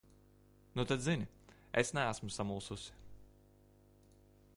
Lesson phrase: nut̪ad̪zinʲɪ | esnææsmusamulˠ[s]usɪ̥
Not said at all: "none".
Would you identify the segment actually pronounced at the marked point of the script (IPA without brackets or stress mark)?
s